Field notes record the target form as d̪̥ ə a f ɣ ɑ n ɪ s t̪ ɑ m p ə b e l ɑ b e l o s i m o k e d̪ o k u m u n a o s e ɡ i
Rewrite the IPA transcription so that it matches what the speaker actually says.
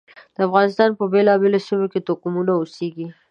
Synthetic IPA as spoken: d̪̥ ə a f ɣ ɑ n ɪ s t̪ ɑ n p ə b e l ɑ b e l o s i m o k e t̪ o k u m u n a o s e ɡ i